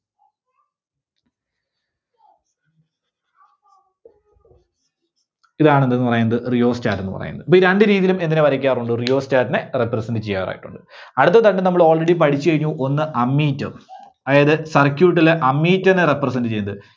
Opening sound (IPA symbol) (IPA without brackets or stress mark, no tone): i